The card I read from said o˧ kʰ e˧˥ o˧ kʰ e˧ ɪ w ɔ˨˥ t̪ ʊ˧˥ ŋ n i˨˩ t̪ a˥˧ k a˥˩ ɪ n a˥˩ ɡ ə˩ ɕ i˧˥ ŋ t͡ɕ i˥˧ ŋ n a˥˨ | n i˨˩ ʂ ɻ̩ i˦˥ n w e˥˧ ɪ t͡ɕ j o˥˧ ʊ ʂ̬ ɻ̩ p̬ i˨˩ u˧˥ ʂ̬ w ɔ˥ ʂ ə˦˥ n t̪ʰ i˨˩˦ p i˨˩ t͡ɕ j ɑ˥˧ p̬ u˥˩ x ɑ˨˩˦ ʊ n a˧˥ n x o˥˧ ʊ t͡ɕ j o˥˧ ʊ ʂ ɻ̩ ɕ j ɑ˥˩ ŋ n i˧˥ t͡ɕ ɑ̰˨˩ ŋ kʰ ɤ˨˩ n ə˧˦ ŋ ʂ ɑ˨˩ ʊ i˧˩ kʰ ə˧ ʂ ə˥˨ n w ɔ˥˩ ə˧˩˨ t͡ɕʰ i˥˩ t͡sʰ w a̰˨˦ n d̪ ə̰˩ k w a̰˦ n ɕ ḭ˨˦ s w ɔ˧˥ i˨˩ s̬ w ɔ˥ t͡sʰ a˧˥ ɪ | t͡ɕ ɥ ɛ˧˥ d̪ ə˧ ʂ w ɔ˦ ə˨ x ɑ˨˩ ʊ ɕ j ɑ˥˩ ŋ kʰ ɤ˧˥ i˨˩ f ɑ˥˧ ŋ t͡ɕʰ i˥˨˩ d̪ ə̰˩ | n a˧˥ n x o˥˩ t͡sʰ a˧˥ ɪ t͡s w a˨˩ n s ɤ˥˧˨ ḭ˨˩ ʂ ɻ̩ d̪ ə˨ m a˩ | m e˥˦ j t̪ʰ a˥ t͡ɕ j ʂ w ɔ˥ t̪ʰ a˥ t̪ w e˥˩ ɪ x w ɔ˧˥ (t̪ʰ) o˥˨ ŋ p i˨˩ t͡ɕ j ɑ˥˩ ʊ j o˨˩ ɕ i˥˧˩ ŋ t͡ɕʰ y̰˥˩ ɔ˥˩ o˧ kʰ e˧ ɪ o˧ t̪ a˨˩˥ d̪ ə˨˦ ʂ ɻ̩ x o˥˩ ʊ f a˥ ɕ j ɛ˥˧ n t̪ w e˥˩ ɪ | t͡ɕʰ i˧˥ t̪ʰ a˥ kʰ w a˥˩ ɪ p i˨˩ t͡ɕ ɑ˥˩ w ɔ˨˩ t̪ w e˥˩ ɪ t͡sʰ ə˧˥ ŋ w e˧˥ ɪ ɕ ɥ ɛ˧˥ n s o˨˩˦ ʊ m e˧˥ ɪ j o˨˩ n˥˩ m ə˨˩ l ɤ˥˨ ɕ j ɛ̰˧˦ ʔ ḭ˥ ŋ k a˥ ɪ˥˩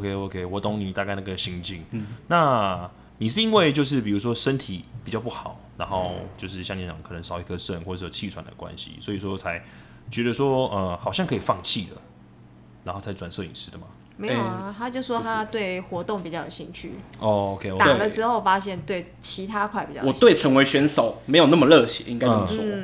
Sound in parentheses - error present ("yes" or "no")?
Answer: yes